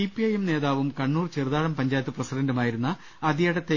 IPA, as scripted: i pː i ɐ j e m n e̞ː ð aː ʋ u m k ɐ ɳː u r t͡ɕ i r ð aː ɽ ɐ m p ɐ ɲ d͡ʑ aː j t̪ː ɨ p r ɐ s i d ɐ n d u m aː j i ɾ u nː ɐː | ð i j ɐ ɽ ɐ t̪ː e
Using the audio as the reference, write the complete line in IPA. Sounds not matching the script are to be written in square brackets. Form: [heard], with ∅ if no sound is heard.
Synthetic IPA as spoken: i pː i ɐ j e m n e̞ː ð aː ʋ u m k ɐ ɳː [uː] r t͡ɕ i r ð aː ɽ ɐ m p ɐ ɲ d͡ʑ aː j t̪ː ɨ p r ɐ s i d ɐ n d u m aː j i ɾ u nː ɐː | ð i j ɐ ɽ ɐ t̪ː e

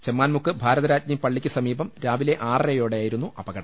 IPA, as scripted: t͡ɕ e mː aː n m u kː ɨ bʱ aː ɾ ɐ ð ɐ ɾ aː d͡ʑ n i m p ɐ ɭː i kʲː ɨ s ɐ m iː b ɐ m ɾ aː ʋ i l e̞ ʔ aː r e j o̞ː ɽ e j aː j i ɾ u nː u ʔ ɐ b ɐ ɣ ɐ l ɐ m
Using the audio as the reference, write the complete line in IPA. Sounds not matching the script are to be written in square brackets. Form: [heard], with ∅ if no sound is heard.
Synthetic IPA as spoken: t͡ɕ e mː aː n m u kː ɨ bʱ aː ɾ ɐ ð ɐ ɾ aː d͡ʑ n i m p ɐ ɭː i kʲː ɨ s ɐ m iː b ɐ m ɾ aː ʋ i l e̞ ʔ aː r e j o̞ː ɽ e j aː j i ɾ u nː u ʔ ɐ b ɐ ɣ ɐ [ɽ] ɐ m

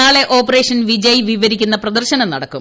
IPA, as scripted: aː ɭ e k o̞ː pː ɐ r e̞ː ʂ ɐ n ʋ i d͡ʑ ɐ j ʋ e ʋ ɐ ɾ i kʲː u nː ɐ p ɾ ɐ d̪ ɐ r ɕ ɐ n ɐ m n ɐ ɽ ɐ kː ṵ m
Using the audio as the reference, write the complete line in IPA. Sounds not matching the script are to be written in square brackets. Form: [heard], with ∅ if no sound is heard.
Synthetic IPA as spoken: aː ɭ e [ʔ] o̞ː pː ɐ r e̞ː ʂ ɐ n ʋ i d͡ʑ ɐ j ʋ [i] ʋ ɐ ɾ i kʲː u nː ɐ p [r] ɐ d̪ ɐ r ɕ ɐ n ɐ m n ɐ ɽ ɐ kː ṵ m

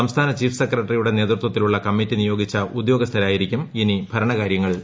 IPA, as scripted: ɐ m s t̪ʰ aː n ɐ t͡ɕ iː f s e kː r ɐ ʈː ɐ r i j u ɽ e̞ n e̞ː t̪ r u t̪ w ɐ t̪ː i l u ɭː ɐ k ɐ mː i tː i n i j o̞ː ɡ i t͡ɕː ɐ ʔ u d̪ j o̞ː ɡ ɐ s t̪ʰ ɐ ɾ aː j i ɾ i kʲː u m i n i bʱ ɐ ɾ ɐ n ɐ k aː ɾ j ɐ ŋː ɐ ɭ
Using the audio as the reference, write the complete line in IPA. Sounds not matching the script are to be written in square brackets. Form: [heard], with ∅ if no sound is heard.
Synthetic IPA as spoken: ɐ m s t̪ʰ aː n ɐ t͡ɕ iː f s e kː r ɐ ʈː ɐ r i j u ɽ e̞ n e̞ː t̪ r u t̪ w ɐ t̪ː i l u ɭː ɐ k ɐ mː i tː i n i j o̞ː ɡ i t͡ɕː ɐ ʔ u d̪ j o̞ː ɡ ɐ s t̪ʰ ɐ ɾ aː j i ɾ i kʲː u m i n i bʱ ɐ ɾ ɐ [ɳ] ɐ k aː ɾ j ɐ ŋː ɐ ɭ

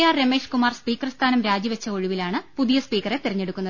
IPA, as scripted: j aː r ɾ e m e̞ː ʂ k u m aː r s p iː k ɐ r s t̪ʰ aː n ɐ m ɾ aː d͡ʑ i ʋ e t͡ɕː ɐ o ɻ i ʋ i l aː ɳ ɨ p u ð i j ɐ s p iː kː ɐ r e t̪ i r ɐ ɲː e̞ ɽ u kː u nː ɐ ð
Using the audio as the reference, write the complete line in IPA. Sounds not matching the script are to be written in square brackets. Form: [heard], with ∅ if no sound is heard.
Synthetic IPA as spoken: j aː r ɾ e m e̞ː ʂ k u m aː r s p iː k ɐ r s t̪ʰ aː n ɐ m ɾ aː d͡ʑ i ʋ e t͡ɕː ɐ o ɻ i ʋ i l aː ɳ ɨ p u ð i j ɐ s p iː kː ɐ r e t̪ i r ɐ ɲː e̞ ɽ u kː u nː ɐ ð

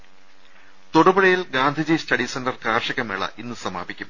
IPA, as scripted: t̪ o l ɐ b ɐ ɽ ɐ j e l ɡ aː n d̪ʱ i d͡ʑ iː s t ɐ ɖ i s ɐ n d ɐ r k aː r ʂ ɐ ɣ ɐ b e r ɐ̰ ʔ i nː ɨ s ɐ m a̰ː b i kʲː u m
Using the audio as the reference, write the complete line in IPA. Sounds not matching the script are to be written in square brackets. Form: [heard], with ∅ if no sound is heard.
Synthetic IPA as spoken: t̪ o [ɽ] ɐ b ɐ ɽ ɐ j [i] l ɡ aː n d̪ʱ i d͡ʑ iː s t ɐ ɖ i s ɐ n d ɐ r k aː r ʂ ɐ ɣ ɐ [m] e [ɭ] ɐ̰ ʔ i nː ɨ s ɐ m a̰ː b i kʲː u m

